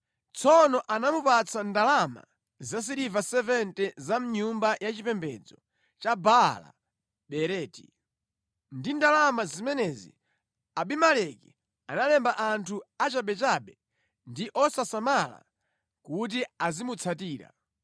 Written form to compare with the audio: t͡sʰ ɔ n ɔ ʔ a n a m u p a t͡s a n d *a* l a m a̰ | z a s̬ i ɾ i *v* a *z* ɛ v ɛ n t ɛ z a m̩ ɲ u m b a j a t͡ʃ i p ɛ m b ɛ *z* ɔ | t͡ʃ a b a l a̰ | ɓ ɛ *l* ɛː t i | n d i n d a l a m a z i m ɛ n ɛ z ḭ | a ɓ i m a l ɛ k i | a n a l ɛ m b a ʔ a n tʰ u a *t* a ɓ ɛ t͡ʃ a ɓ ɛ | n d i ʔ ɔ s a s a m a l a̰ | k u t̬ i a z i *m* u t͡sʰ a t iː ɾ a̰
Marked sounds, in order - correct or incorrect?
correct, correct, incorrect: s, incorrect: d͡z, incorrect: ɾ, incorrect: t͡ʃ, correct

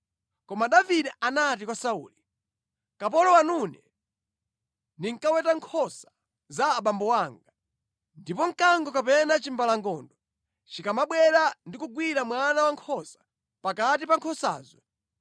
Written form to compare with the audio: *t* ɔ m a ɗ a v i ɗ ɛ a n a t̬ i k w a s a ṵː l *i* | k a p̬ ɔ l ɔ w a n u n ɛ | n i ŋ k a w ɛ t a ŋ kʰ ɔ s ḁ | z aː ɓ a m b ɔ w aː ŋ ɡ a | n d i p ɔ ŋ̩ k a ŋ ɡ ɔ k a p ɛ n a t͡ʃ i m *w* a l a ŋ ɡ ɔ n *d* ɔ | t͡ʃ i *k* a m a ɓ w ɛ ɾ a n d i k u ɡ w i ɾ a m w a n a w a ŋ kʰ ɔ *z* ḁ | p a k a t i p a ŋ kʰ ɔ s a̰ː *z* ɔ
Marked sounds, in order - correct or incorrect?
incorrect: k, correct, incorrect: b, correct, correct, incorrect: s, correct

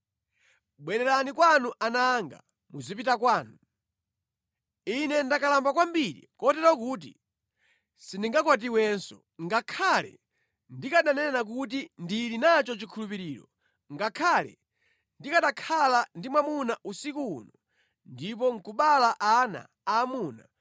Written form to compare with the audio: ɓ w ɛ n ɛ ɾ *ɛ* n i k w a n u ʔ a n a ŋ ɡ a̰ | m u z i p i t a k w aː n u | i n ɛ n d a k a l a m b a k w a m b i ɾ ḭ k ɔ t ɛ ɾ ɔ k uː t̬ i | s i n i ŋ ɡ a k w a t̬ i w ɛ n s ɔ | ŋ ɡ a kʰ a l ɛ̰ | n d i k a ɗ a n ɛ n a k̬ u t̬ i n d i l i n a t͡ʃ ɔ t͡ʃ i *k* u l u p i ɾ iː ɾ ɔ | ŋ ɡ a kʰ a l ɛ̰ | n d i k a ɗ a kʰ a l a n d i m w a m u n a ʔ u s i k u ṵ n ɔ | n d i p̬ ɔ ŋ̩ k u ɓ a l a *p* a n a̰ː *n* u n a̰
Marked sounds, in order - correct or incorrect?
incorrect: a, incorrect: kʰ, incorrect: ʔ, incorrect: m

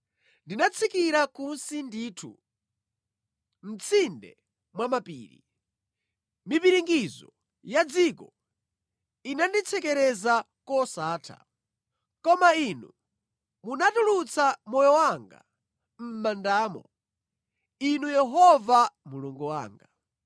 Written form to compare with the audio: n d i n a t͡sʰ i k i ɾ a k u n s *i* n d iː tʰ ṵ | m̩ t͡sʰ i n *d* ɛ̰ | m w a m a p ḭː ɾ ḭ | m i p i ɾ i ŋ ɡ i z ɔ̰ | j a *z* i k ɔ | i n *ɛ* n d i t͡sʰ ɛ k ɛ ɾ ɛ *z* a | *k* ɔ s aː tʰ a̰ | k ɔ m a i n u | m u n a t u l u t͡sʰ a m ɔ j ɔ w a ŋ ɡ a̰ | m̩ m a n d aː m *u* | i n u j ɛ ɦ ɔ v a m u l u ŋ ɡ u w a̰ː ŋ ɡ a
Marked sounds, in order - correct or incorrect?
correct, correct, incorrect: d͡z, incorrect: a, correct, correct, incorrect: ɔ

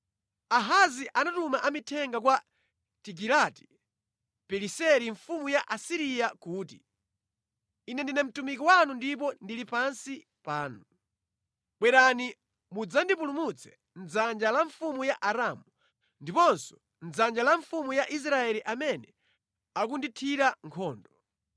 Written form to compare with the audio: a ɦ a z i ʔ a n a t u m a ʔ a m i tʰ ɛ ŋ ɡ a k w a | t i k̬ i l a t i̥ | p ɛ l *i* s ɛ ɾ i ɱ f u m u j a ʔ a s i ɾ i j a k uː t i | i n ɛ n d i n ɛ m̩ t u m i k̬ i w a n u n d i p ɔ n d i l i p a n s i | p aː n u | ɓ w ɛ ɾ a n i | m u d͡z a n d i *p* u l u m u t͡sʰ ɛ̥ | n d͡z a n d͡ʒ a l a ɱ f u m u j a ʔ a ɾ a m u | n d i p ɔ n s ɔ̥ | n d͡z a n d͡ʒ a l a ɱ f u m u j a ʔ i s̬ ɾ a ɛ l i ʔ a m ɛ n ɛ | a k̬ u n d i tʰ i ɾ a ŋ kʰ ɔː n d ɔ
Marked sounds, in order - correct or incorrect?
correct, correct

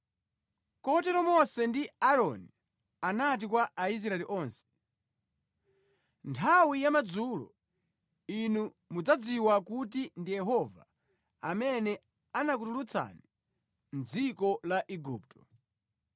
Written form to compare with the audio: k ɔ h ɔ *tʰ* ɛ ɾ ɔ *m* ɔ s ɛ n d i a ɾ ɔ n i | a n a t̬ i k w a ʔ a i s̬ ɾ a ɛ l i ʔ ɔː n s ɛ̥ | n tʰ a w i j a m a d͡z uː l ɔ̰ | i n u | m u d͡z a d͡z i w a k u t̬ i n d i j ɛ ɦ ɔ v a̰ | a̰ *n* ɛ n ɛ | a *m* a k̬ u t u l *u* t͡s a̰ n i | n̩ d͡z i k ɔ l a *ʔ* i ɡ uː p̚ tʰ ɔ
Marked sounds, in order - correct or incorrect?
incorrect: t, correct, incorrect: m, incorrect: n, correct, correct

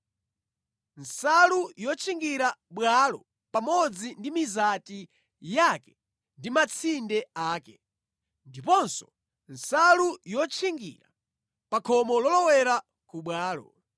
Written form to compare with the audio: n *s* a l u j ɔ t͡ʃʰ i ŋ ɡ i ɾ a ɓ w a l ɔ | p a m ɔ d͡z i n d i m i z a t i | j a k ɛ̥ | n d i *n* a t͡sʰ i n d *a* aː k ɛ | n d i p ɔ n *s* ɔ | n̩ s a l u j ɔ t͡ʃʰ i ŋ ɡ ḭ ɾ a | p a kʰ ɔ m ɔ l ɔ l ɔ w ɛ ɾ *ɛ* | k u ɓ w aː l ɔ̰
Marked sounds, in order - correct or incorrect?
correct, incorrect: m, incorrect: ɛ, correct, incorrect: a

